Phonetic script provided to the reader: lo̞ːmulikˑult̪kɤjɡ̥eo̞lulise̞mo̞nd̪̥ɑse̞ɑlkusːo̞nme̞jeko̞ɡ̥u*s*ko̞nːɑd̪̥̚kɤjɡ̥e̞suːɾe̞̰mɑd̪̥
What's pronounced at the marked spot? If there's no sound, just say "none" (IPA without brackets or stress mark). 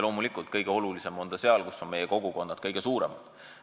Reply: none